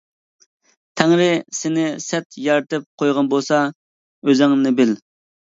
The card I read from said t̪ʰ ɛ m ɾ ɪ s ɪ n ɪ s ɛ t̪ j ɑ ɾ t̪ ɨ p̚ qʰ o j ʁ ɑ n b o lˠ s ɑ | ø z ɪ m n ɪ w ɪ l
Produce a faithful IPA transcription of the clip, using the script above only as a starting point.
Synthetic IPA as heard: t̪ʰ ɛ ŋ ɾ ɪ s ɪ n ɪ s ɛ t̪ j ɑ ɾ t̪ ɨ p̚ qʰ o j ʁ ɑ n b o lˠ s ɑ | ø z ɪ ŋ n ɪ b ɪ l